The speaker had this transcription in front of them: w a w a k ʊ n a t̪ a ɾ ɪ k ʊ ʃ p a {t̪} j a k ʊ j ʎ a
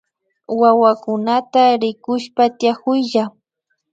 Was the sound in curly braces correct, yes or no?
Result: yes